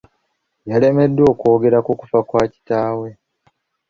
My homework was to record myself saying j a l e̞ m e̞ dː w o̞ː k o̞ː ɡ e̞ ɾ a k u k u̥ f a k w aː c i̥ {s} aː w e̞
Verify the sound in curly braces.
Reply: incorrect: t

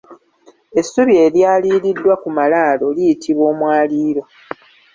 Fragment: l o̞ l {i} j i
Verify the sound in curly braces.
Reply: correct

